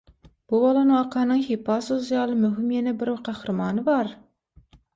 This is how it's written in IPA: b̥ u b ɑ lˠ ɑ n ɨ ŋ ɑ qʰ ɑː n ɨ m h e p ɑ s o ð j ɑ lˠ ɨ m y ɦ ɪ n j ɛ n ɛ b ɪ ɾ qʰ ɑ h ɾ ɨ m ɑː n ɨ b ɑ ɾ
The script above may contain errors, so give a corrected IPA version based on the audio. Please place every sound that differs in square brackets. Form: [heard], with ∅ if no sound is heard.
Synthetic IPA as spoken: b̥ u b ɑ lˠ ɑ n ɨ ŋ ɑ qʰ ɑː n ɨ [ŋ] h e p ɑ s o [z] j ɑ lˠ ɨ m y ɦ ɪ [m] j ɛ n ɛ b ɪ ɾ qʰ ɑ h ɾ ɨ m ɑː n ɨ b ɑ ɾ